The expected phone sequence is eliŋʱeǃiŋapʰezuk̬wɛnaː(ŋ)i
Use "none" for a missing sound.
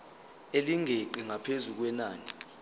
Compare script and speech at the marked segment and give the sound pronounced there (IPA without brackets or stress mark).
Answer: n